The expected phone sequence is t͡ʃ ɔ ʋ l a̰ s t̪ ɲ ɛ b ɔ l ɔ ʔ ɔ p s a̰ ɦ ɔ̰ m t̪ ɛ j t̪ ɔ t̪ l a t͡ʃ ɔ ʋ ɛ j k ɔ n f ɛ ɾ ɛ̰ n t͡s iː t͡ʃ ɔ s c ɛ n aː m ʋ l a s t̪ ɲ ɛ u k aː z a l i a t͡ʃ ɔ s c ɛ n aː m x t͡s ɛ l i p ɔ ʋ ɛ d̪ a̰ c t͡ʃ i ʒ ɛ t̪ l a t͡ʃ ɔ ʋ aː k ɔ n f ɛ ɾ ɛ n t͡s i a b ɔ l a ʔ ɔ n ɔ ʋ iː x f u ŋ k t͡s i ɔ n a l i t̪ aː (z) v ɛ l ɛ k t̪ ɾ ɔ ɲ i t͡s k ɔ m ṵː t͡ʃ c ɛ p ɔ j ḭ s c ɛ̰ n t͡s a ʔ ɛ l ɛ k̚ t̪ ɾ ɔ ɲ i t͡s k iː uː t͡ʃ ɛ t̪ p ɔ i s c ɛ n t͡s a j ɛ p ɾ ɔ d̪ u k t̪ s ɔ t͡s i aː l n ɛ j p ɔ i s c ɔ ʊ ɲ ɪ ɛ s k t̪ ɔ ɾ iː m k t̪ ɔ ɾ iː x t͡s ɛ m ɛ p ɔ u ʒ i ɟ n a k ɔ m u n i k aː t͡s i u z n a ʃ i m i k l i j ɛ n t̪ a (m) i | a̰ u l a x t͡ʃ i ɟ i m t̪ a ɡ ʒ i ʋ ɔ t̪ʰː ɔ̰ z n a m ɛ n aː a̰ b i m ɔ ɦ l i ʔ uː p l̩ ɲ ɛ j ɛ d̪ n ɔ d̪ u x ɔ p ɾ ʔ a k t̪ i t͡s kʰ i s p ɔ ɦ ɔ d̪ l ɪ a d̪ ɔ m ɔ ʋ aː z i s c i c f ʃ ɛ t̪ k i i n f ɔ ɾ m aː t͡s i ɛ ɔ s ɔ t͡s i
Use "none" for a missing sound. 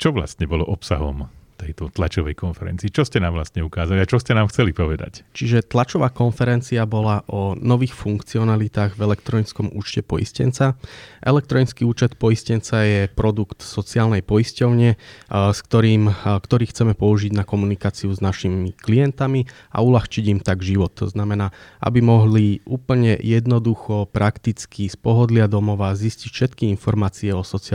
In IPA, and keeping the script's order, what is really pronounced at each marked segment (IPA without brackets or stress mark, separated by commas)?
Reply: ɣ, m